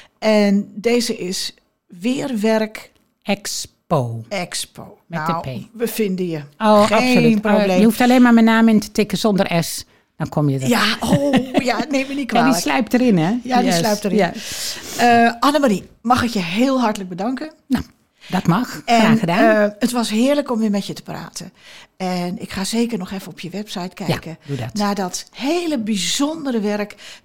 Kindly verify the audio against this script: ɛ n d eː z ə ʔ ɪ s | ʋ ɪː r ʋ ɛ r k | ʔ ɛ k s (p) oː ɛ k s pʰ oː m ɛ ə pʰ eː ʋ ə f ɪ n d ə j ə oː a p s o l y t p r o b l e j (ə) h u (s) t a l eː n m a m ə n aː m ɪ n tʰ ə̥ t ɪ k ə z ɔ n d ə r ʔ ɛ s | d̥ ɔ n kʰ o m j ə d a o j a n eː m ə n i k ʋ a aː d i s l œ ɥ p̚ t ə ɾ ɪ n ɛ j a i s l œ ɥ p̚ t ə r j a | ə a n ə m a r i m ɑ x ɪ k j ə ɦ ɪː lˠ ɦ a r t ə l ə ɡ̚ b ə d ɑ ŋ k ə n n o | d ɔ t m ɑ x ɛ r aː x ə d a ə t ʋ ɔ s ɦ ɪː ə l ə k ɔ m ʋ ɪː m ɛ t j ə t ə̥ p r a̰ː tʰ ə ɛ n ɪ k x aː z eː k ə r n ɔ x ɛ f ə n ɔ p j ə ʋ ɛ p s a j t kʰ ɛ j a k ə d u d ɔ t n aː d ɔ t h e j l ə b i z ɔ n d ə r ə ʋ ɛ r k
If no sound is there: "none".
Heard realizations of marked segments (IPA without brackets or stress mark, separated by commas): p, ə, f